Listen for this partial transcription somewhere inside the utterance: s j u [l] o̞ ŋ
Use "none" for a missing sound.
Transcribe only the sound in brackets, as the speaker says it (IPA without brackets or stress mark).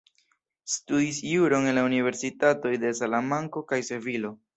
ɾ